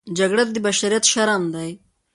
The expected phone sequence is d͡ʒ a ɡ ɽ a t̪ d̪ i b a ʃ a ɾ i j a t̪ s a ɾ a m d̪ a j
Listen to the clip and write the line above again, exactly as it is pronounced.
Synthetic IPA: d͡ʒ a ɡ ɽ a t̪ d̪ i b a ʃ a ɾ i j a t̪ ʃ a ɾ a m d̪ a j